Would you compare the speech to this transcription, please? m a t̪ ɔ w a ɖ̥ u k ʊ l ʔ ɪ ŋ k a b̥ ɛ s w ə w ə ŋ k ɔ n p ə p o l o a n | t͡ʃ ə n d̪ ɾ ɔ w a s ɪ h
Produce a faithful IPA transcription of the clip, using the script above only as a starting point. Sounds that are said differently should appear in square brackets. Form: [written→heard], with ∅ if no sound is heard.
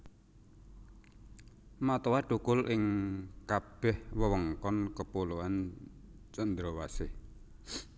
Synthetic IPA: m a t̪ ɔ w a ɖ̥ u k ʊ l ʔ ɪ ŋ k a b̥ ɛ [s→h] w ə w ə ŋ k ɔ n [p→k] ə p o l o a n | t͡ʃ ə n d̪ ɾ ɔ w a s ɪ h